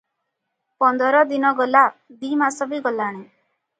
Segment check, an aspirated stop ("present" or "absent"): absent